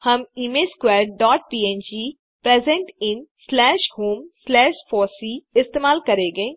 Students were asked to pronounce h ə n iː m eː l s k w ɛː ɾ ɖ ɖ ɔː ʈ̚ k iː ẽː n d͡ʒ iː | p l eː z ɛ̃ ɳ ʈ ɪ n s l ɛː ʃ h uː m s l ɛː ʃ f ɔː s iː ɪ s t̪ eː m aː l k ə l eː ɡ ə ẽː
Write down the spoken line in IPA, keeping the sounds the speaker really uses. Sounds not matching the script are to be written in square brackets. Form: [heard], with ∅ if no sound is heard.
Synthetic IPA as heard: h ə [m] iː m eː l s k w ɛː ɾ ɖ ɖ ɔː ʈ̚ [p] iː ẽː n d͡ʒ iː | p [ɾ] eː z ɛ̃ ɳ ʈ ɪ n s l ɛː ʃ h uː m s l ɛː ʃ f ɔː s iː ɪ s t̪ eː m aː l k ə [ɾ] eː ɡ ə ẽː

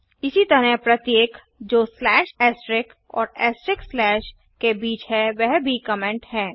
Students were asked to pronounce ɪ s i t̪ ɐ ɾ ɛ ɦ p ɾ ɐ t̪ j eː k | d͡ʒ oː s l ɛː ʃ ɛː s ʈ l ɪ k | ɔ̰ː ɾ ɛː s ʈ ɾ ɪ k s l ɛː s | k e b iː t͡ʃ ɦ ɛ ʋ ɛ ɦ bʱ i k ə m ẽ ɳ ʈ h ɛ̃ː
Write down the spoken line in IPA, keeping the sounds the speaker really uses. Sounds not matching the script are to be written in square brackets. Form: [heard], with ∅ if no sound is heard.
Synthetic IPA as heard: ɪ s i t̪ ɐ ɾ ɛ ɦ p ɾ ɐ t̪ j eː k | d͡ʒ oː s l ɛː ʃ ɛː s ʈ [ɾ] ɪ k | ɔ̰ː ɾ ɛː s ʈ ɾ ɪ k s l ɛː [ʃ] | k e b iː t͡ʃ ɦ ɛ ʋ ɛ ɦ bʱ i k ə m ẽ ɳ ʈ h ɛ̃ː

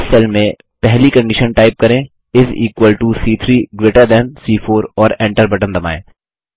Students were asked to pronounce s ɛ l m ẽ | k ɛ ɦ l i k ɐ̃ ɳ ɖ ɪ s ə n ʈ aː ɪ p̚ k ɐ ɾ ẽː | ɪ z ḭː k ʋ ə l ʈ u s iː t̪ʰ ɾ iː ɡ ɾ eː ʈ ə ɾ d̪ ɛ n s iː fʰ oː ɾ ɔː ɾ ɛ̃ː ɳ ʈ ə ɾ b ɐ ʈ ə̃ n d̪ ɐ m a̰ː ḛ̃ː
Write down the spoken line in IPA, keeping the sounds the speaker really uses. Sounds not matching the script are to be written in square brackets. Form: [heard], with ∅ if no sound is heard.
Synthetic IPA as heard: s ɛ l m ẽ | [p] ɛ ɦ l i k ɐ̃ ɳ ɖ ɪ [ʃ] ə n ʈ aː ɪ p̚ k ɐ ɾ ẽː | ɪ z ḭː k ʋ ə l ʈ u s iː t̪ʰ ɾ iː ɡ ɾ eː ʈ ə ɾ d̪ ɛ n s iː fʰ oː ɾ ɔː ɾ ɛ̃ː ɳ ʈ ə ɾ b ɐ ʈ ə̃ n d̪ ɐ m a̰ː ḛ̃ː

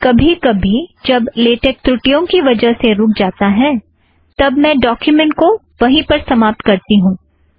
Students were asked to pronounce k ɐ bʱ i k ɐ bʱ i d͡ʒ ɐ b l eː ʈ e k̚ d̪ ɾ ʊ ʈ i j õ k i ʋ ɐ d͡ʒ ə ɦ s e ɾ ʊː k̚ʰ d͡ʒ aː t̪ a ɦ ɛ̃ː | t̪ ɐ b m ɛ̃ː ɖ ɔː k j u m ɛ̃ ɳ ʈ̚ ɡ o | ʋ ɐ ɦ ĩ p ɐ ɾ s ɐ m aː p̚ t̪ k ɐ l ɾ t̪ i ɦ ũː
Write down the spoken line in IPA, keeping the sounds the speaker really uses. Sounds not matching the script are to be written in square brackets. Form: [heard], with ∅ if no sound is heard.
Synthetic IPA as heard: k ɐ bʱ i k ɐ bʱ i d͡ʒ ɐ b l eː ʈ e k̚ [t̪] ɾ ʊ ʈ i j õ k i ʋ ɐ d͡ʒ ə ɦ s e ɾ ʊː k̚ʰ d͡ʒ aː t̪ a ɦ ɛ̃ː | t̪ ɐ b m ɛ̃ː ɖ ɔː k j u m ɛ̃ ɳ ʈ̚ [k] o | ʋ ɐ ɦ ĩ p ɐ ɾ s ɐ m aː p̚ t̪ k ɐ [∅] ɾ t̪ i ɦ ũː

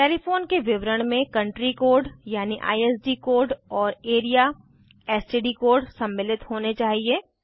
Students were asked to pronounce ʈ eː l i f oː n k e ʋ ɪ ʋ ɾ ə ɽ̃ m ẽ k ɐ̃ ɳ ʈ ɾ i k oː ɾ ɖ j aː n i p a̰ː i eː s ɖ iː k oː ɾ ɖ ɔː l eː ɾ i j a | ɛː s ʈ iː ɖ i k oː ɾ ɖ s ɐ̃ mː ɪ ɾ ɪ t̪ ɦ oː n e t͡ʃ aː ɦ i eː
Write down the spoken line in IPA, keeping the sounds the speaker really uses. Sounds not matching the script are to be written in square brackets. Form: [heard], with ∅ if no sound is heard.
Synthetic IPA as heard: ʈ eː l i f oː n k e ʋ ɪ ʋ ɾ ə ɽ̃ m ẽ k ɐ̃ ɳ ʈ ɾ i k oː ɾ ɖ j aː n i [ʔ] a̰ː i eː s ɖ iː k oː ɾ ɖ ɔː [ɾ] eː ɾ i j a | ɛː s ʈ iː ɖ i k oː ɾ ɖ s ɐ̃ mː ɪ [l] ɪ t̪ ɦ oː n e t͡ʃ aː ɦ i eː

